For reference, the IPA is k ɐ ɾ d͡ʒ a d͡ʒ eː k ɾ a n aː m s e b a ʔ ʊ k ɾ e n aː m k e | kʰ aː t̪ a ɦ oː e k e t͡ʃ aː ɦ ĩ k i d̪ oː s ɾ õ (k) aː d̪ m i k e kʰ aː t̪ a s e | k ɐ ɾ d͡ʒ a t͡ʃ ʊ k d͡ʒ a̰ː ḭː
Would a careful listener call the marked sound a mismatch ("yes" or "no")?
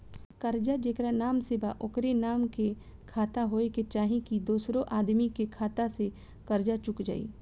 yes